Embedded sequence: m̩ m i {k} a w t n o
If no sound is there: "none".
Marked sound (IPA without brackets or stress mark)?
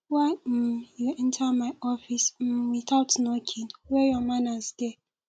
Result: t